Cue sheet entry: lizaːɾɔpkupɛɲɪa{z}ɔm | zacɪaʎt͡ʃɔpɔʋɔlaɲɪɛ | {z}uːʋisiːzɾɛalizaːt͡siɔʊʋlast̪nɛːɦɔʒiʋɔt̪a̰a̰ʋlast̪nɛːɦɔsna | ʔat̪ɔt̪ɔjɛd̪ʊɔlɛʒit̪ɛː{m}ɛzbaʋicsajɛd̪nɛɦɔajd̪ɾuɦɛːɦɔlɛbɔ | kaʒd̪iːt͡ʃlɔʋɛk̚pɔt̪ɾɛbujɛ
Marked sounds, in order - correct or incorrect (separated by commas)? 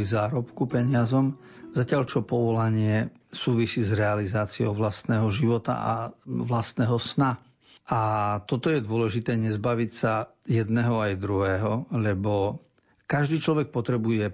correct, incorrect, incorrect